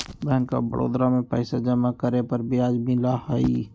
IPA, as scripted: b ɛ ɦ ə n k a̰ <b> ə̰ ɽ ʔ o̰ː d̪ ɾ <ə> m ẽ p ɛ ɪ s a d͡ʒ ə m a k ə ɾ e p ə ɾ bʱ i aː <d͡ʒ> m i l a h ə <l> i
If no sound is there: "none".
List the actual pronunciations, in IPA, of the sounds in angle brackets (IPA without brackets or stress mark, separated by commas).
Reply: b, a, d͡ʒ, none